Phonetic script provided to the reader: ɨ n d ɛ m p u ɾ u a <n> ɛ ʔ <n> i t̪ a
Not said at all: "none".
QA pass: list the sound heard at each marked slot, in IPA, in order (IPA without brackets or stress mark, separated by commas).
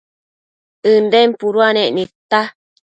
n, n